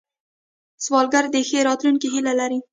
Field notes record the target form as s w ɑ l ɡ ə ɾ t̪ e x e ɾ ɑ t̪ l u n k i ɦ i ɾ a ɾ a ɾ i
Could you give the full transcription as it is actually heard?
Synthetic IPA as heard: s w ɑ l ɡ a ɾ d̪ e x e ɾ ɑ t̪ l u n k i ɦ i l a l a ɾ i